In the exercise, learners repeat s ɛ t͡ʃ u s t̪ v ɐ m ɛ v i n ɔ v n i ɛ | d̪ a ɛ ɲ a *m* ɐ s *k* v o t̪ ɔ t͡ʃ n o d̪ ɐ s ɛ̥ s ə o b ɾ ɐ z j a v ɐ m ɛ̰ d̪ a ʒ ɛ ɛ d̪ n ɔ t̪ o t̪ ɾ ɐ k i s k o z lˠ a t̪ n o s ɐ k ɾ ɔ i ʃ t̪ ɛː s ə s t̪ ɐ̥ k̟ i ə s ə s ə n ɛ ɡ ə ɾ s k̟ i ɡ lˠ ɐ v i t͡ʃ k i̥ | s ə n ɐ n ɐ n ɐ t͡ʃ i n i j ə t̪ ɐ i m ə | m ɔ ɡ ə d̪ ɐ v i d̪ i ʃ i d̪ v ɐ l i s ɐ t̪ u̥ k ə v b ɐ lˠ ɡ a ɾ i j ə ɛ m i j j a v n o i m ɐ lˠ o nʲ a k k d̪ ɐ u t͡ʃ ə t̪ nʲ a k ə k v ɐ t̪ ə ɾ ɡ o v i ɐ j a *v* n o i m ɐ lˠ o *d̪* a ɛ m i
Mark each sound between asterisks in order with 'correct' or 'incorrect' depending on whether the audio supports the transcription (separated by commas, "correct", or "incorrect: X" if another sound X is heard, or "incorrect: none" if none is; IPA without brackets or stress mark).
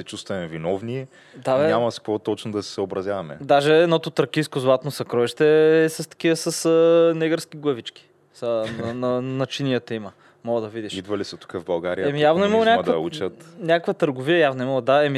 correct, correct, correct, correct